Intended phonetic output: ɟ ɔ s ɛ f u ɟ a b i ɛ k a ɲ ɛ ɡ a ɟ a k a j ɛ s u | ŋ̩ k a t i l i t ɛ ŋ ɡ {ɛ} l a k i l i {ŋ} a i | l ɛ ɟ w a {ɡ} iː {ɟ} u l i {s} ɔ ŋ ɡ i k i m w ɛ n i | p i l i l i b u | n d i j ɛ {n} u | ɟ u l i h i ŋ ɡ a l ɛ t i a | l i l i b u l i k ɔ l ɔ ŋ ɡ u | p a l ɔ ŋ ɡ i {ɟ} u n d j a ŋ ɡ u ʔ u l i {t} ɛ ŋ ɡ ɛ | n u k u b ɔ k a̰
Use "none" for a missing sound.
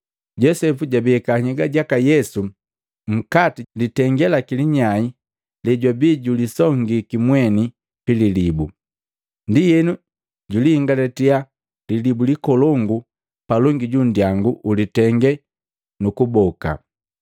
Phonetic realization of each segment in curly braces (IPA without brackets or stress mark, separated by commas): ɛ, ɲ, b, ɟ, s, n, ɟ, t